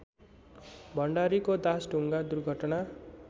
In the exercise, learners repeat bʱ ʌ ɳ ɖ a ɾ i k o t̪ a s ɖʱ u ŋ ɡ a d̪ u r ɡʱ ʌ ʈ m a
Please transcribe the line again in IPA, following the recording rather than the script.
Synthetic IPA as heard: bʱ ʌ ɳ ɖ a ɾ i k o d̪ a s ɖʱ u ŋ ɡ a d̪ u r ɡʱ ʌ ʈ n a